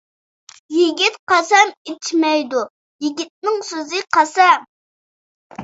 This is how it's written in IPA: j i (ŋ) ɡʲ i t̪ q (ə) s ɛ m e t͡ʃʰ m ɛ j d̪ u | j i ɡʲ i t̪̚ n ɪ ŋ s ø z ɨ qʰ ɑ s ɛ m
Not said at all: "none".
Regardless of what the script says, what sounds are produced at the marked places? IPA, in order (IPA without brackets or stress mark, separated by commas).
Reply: none, ɑ